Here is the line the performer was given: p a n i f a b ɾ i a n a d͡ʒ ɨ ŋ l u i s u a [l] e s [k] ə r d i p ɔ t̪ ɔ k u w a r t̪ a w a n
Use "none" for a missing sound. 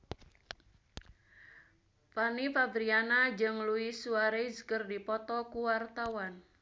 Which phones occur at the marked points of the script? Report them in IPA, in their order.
ɾ, k

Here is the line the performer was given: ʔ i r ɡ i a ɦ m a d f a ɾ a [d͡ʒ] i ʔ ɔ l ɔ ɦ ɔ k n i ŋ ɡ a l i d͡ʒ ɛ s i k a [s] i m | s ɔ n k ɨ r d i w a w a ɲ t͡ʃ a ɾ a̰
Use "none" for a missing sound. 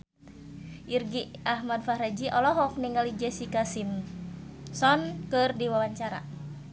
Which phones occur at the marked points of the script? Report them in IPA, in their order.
d͡ʒ, s

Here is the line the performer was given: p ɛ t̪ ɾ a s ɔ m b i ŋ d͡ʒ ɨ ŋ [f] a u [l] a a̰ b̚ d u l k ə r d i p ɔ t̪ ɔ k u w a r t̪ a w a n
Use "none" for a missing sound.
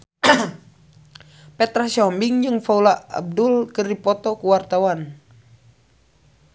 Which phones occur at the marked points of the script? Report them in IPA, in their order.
f, l

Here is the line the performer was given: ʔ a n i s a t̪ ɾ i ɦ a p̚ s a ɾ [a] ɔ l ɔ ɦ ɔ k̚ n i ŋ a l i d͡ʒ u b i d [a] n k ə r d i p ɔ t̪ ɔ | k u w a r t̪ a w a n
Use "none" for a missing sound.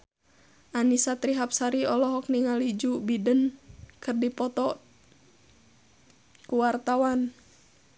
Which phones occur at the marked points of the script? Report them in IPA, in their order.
i, ə

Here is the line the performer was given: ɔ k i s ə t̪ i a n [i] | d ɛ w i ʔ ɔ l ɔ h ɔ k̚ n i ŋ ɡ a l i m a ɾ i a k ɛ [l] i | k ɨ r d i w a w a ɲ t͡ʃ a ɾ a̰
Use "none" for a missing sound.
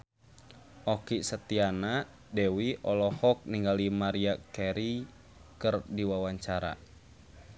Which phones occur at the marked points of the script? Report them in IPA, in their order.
a, ɾ

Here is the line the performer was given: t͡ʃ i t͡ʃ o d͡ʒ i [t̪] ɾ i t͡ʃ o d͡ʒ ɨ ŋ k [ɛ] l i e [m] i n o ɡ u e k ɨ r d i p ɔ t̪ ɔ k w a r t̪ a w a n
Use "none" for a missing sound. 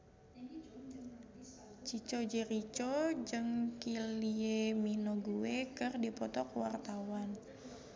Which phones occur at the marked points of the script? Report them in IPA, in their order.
none, i, m

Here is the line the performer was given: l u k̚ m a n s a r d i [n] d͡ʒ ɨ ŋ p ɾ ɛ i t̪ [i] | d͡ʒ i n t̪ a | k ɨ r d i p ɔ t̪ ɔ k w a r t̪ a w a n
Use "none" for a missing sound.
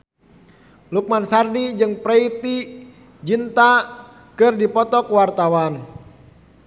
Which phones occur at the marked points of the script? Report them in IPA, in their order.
none, i

